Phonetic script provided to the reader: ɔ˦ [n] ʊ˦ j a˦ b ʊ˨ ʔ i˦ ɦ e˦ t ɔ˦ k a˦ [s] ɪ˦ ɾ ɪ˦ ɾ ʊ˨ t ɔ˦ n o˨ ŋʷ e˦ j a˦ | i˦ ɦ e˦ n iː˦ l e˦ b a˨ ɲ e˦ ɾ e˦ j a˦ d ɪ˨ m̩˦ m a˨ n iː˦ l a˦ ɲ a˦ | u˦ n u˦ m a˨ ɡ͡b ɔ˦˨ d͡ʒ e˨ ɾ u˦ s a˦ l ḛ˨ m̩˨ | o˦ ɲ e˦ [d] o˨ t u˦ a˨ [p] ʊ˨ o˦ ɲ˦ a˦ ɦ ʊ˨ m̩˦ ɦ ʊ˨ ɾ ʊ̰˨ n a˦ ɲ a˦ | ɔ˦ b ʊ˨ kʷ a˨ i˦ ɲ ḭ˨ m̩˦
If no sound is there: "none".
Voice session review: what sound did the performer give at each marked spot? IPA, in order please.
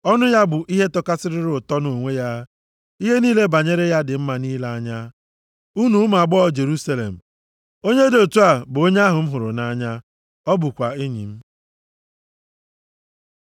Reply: n, s, d, b

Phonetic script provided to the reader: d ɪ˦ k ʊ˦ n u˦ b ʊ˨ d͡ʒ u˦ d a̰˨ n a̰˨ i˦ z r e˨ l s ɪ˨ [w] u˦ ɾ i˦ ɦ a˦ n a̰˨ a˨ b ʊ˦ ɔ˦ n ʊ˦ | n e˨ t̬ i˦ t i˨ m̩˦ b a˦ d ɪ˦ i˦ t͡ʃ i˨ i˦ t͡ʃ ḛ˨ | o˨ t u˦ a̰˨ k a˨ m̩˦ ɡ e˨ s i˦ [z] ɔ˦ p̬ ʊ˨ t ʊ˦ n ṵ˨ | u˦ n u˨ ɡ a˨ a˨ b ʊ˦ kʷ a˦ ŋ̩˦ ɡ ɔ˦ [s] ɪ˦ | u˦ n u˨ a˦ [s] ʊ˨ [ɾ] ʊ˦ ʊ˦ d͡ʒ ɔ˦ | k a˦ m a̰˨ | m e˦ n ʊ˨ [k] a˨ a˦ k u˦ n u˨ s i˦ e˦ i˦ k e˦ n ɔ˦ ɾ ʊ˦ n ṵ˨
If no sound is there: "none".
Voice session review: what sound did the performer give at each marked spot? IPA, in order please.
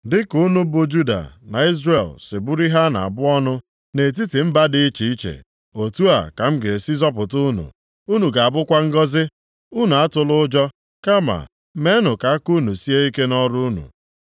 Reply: b, z, z, t, l, k

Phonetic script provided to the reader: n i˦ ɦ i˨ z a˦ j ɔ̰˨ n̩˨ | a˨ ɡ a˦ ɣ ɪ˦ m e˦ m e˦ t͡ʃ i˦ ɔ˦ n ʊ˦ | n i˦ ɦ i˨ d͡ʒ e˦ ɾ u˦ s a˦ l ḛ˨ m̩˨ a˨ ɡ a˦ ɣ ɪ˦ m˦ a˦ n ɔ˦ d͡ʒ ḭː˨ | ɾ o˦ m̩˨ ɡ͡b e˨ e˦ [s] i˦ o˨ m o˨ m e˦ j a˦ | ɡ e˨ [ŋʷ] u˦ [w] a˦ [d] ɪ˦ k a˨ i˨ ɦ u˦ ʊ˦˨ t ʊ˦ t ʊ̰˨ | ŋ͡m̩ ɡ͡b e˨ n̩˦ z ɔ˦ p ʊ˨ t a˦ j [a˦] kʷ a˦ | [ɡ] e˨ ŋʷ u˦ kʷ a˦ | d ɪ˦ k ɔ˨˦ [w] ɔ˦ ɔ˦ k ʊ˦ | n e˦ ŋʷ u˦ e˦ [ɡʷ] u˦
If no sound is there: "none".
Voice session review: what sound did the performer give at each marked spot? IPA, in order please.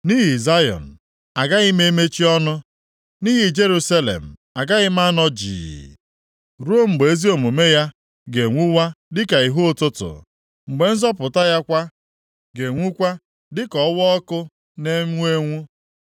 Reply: z, ŋʷ, w, d, a˦, ɡ, w, ŋʷ

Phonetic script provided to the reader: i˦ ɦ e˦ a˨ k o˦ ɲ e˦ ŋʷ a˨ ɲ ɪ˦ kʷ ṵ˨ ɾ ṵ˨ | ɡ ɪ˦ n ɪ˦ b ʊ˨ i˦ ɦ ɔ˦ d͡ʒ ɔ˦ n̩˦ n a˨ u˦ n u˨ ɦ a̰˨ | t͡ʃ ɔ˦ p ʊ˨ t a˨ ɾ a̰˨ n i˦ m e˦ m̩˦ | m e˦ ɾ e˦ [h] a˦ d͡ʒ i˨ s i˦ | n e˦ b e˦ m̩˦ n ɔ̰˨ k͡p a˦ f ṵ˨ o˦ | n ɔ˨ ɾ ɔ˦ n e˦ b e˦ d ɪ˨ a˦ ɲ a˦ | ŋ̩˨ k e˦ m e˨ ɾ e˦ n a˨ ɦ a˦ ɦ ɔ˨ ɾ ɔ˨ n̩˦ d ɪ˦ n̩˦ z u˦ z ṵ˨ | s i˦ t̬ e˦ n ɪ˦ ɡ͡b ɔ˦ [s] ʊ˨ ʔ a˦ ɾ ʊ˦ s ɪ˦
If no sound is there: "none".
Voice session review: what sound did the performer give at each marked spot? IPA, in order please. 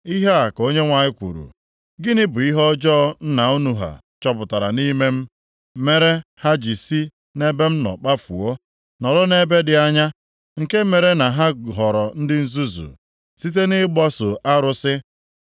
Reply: h, s

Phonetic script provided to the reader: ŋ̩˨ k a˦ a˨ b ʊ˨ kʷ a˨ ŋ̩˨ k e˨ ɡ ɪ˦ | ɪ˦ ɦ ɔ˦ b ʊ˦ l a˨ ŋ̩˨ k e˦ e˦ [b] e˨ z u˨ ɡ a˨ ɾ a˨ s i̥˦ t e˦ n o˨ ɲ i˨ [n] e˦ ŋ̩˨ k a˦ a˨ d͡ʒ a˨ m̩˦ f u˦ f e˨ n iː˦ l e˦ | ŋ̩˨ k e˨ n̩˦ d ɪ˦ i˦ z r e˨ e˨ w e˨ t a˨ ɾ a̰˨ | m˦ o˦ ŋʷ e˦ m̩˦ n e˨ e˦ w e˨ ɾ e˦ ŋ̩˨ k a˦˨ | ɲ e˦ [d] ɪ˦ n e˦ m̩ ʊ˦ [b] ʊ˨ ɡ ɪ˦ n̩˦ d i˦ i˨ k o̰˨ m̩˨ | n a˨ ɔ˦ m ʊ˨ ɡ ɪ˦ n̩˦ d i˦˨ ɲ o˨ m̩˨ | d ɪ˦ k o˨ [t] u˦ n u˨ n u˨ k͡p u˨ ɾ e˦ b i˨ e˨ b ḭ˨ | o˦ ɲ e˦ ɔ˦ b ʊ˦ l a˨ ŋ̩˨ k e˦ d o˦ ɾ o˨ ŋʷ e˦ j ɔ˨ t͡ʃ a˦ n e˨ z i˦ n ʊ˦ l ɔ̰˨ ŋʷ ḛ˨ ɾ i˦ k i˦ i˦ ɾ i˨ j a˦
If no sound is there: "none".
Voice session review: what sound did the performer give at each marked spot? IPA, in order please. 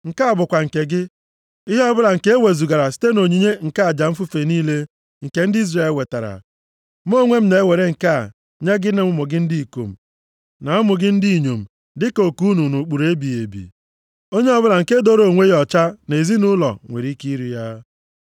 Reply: w, ɲ, ɡ, m, k

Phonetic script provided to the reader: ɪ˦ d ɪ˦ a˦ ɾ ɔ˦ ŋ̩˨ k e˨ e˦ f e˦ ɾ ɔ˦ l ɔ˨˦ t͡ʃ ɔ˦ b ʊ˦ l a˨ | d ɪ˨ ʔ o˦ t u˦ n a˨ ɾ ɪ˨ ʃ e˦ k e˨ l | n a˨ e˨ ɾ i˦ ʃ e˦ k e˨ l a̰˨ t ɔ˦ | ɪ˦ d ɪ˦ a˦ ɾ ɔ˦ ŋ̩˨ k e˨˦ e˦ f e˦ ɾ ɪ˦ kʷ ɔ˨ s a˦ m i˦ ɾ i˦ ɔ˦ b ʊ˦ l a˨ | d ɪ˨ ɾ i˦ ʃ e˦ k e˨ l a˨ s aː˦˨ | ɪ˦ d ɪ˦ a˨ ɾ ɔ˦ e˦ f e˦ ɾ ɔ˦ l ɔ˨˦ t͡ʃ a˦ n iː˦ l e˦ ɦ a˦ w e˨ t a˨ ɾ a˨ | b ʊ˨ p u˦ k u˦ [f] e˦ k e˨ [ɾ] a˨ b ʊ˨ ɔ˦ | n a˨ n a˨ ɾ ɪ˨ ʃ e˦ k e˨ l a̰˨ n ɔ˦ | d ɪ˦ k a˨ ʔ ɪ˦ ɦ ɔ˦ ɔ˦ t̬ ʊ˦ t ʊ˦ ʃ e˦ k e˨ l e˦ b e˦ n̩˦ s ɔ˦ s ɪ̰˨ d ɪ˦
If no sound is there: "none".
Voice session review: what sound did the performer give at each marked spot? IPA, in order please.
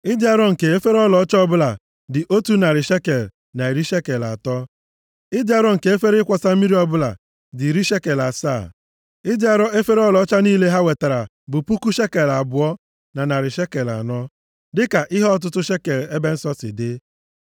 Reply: ʃ, l

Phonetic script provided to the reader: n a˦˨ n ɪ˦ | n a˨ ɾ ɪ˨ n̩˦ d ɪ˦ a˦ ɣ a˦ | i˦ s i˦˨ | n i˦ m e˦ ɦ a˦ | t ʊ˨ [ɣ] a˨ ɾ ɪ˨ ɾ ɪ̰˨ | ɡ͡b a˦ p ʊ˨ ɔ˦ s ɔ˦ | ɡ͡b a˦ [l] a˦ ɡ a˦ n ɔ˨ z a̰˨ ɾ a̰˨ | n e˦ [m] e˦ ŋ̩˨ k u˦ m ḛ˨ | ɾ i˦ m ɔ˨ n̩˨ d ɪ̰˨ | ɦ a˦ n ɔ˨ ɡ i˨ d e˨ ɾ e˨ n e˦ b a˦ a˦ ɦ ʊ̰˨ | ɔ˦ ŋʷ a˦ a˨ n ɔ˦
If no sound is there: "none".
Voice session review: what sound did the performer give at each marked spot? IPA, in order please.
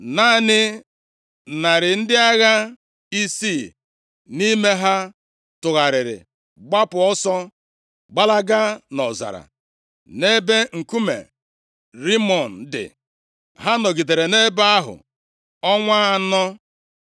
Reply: ɣ, l, b

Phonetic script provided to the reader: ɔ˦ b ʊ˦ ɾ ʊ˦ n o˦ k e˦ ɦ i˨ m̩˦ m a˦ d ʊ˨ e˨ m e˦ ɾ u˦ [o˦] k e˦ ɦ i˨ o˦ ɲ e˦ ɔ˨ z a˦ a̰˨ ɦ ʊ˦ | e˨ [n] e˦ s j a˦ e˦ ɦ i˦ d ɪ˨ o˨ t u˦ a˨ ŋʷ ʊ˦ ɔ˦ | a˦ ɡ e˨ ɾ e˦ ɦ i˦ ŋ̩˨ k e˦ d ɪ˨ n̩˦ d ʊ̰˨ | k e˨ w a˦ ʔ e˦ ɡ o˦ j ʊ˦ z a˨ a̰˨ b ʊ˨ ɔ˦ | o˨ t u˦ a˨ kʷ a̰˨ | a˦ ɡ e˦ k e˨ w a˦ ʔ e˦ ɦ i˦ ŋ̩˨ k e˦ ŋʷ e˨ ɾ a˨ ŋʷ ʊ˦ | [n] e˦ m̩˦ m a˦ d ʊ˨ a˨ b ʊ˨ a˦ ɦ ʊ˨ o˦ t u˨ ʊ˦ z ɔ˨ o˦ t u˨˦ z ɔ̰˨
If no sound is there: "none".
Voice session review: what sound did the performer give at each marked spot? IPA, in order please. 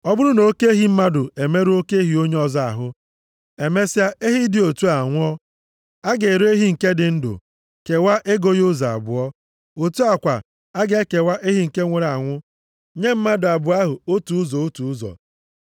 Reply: o˦, m, ɲ

